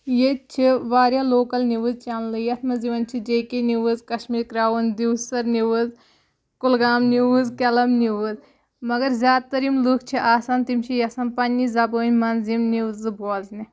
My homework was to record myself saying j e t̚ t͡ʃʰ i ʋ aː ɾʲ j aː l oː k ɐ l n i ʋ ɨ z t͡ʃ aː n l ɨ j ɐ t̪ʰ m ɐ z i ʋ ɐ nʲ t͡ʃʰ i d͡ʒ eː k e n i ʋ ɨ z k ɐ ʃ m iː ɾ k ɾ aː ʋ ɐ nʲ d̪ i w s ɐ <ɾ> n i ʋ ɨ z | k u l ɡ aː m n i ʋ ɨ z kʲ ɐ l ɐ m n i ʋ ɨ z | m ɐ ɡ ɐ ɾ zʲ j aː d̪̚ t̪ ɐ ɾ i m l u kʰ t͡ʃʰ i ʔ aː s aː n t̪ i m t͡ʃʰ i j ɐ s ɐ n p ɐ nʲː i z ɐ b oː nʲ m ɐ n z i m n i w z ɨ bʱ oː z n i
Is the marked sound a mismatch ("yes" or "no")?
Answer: no